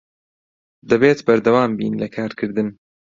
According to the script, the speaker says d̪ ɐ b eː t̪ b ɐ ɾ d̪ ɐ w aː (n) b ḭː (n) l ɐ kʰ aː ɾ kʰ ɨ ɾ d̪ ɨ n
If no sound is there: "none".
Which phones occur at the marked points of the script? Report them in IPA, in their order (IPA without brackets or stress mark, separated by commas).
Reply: m, n